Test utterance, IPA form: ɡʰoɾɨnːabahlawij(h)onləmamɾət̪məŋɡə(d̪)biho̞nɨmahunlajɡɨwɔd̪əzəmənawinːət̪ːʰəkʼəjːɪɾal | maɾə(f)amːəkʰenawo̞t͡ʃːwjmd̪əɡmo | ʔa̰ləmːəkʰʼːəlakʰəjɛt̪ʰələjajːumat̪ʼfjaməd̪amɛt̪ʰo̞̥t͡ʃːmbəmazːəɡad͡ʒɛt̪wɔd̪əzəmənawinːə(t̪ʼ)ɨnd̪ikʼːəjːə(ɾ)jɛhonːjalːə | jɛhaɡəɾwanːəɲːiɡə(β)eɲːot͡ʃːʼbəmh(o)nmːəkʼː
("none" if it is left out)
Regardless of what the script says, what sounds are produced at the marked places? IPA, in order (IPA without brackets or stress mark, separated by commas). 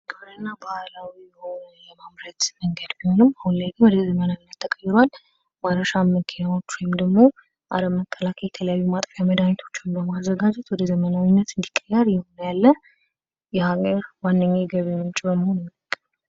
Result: h, d̪, ʃ, t̪, ɾ, β, o